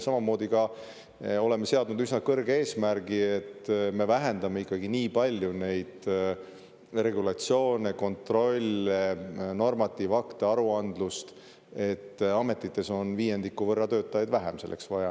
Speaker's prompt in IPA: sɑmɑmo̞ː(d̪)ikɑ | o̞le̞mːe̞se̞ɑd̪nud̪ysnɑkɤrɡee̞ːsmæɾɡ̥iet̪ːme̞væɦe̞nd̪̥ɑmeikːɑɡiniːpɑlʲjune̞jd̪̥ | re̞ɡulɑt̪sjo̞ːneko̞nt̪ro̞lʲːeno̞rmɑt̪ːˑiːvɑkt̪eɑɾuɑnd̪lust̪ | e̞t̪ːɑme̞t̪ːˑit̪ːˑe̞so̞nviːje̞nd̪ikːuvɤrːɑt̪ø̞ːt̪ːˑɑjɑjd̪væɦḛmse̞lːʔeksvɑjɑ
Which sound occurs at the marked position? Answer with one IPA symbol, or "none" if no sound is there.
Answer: d̪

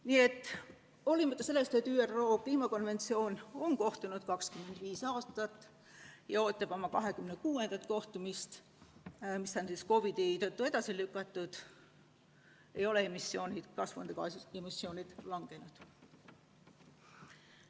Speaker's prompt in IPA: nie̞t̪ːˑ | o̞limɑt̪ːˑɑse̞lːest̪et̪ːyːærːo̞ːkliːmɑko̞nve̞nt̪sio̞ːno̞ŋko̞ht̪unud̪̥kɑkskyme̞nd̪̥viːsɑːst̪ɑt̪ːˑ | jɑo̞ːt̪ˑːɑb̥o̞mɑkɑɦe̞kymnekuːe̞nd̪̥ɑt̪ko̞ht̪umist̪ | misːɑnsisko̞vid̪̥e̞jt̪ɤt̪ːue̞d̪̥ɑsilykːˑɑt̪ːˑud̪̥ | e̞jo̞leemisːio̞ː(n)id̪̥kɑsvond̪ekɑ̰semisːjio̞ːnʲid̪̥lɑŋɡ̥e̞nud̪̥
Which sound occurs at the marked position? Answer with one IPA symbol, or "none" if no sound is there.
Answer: n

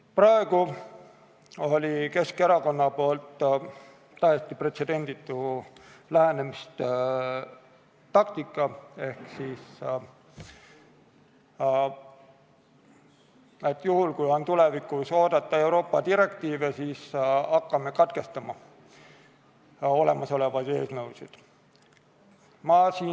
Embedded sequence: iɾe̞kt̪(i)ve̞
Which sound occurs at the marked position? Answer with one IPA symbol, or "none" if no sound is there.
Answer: iː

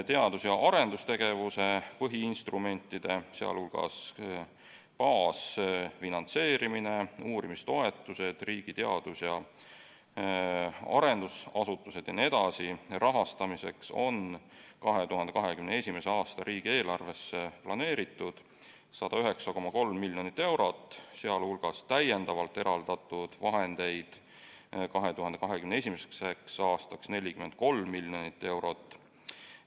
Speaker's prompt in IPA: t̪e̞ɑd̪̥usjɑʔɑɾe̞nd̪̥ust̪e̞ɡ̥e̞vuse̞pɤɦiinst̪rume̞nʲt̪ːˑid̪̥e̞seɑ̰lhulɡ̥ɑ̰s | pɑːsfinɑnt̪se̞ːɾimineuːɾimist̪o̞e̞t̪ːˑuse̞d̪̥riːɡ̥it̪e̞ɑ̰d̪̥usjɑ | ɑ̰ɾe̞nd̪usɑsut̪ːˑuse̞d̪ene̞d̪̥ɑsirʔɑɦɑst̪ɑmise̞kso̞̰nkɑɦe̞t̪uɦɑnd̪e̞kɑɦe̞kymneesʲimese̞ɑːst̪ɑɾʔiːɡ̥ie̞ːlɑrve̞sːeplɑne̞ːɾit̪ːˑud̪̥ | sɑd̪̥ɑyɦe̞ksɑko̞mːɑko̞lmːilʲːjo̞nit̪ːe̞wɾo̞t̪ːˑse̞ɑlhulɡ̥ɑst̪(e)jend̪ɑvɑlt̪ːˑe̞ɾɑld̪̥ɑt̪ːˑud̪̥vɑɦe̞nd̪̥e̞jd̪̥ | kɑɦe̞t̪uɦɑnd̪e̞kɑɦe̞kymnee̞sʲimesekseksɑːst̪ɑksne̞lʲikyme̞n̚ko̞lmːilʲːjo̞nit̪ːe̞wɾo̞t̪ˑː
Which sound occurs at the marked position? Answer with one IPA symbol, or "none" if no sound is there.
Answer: æ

